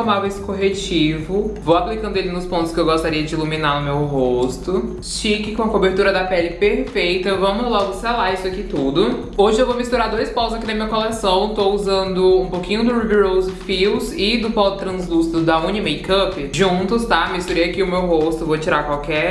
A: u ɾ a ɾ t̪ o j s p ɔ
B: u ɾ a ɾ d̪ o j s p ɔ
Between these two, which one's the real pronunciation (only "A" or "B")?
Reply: B